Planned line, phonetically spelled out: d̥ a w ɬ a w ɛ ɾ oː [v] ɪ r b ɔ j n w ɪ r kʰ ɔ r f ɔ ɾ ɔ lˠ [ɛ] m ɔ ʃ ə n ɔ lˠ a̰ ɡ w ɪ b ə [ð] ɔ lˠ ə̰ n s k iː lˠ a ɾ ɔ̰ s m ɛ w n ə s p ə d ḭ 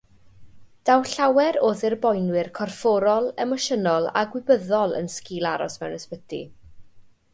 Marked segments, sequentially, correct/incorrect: incorrect: ð, correct, correct

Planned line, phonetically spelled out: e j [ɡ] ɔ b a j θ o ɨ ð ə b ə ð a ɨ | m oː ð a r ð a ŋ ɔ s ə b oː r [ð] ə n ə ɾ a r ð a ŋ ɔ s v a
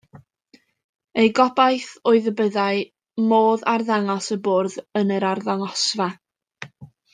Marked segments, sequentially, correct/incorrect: correct, correct

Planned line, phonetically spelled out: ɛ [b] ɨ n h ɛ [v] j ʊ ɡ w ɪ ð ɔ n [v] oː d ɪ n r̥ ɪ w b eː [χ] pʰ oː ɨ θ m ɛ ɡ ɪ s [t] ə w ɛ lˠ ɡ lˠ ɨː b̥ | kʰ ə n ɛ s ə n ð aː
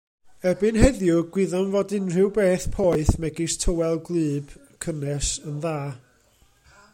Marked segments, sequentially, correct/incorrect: correct, incorrect: ð, correct, incorrect: θ, incorrect: tʰ

